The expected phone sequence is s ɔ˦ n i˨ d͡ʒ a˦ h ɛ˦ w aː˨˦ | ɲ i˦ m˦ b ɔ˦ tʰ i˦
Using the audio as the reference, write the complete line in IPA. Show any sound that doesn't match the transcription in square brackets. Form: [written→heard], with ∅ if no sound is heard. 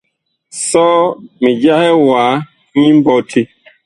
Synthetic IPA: s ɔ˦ [n→m] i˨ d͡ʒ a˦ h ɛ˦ w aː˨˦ | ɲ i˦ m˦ b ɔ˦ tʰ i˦